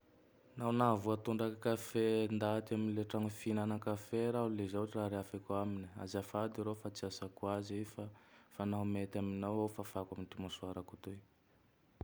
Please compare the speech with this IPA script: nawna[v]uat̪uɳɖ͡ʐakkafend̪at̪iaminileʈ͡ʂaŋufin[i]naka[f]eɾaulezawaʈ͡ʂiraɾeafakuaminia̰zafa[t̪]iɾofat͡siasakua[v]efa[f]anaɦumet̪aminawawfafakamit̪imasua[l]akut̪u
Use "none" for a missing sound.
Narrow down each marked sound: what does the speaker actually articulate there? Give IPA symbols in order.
v, a, f, d̪, z, f, ɾ

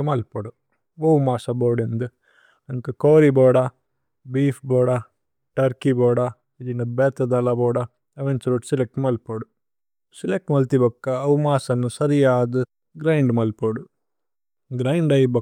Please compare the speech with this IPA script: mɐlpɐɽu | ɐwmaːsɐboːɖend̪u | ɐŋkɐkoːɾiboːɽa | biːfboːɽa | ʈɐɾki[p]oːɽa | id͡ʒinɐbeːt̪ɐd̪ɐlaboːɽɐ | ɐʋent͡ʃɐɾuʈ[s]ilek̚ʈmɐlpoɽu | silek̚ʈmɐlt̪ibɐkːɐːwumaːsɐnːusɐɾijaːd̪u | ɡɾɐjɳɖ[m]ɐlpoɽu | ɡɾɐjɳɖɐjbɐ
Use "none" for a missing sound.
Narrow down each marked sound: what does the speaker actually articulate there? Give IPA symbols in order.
b, s, m

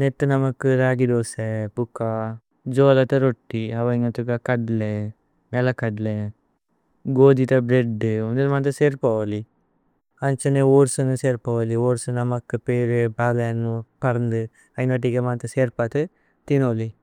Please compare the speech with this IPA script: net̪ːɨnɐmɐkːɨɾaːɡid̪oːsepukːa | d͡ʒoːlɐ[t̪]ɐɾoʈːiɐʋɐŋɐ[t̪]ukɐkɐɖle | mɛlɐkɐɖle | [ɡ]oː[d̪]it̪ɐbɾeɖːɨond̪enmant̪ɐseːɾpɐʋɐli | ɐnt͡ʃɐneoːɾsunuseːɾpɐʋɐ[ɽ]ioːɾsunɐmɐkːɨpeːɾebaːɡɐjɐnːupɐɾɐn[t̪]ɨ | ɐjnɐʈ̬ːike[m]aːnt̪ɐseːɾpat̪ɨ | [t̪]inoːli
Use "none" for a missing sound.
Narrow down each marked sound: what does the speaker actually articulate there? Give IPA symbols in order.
t̪, t̪, ɡ, d̪, l, d̪, m, t̪

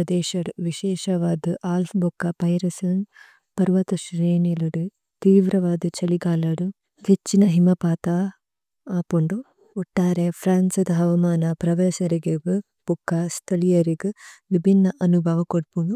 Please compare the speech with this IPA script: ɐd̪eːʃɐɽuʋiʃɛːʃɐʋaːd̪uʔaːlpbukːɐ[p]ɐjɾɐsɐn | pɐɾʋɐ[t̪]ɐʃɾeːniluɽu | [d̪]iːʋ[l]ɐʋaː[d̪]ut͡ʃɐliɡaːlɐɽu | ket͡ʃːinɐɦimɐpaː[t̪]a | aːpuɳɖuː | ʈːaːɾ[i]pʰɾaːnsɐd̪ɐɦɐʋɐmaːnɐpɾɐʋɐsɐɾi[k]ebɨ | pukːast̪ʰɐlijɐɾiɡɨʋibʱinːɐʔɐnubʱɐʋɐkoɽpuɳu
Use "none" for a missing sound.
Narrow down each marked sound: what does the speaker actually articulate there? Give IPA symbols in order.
p, t̪, t̪, ɾ, d̪, t̪, e, ɡ

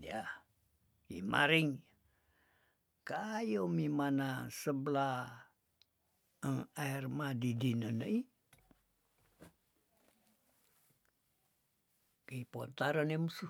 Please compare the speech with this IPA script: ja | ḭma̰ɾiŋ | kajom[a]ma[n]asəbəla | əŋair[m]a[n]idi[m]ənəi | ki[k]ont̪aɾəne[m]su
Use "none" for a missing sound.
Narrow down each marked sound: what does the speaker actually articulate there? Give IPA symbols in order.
i, n, m, d, n, p, m

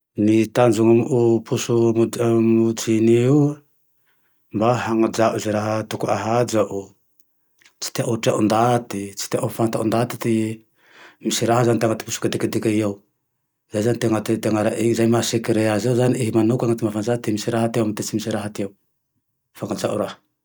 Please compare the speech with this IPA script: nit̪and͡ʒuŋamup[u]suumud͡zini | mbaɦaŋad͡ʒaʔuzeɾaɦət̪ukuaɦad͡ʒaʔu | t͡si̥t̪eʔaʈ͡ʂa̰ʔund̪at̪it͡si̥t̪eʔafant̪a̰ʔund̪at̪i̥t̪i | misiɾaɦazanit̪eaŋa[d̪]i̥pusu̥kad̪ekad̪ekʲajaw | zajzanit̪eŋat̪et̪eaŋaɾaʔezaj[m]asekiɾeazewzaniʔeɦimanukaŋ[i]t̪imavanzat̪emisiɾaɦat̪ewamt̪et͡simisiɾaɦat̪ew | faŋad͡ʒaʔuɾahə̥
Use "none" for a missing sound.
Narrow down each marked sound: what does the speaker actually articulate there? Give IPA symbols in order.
u, t̪, m, a

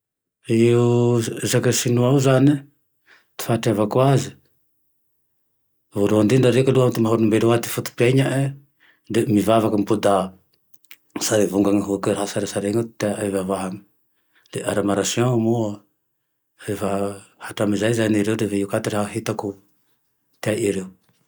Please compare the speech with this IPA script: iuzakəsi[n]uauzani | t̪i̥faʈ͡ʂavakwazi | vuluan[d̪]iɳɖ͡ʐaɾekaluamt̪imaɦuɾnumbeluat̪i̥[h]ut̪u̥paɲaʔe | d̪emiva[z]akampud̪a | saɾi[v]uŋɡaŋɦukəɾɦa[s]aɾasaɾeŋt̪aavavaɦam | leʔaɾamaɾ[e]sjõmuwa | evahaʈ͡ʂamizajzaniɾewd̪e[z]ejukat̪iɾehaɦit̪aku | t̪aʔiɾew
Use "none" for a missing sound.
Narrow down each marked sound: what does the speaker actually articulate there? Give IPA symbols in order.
n, d̪, f, v, v, s, a, v

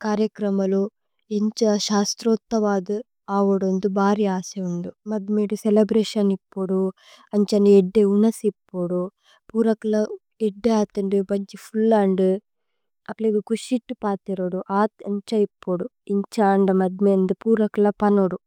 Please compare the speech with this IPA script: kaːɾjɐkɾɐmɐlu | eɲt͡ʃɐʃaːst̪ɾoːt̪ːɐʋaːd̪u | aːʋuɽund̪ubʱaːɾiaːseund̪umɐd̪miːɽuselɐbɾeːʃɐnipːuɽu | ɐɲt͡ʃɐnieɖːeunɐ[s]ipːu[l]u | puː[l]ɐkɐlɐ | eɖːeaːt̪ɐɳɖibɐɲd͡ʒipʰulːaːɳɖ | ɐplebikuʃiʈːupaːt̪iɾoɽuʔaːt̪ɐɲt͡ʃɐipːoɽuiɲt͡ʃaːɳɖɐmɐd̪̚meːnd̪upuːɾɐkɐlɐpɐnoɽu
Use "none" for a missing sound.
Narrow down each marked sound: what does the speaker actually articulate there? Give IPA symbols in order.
s, ɽ, ɾ

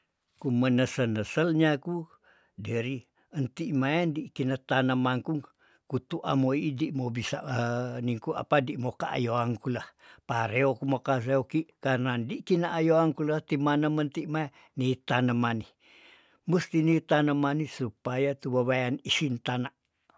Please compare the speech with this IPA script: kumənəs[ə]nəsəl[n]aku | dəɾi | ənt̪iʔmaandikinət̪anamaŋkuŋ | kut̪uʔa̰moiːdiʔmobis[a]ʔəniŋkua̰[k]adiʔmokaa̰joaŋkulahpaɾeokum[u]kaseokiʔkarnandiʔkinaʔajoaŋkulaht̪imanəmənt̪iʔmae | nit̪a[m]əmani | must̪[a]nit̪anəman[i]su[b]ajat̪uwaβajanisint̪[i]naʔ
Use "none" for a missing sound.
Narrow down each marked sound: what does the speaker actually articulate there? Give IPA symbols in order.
ə, ɲ, a, p, o, n, i, i, p, a

